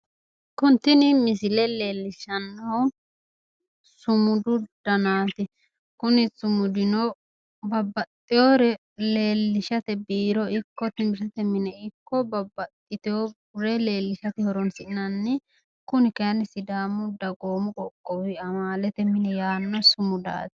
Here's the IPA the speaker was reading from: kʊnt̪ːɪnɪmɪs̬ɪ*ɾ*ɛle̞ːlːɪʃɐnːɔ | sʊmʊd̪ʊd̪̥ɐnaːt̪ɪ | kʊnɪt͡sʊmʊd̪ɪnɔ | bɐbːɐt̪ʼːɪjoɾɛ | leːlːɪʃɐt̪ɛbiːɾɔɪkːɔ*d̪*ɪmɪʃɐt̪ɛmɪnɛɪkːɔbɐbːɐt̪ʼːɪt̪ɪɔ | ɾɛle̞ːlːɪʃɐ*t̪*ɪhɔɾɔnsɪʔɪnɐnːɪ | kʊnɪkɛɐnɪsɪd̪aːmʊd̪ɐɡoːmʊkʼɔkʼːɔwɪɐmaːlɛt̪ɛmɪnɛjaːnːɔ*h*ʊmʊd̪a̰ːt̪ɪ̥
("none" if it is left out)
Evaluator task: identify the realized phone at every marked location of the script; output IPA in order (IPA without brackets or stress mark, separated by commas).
l, t̪, t̪, s